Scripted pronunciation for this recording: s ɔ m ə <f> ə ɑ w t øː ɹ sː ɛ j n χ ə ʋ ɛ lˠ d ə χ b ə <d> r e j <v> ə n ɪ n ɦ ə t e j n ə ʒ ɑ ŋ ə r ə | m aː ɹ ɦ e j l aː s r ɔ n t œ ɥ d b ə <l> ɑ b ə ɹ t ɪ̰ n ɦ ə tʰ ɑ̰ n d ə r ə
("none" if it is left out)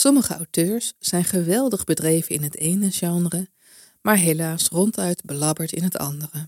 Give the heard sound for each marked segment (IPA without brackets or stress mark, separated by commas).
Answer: χ, d, v, l